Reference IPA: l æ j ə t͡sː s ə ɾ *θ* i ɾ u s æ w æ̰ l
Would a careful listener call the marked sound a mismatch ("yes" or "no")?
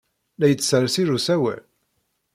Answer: yes